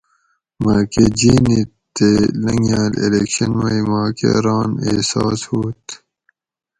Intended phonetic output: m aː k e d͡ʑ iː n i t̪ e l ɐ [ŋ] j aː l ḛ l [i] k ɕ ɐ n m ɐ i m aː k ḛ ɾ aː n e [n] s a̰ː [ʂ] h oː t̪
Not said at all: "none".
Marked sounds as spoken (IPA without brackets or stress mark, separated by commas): ŋ, e, none, s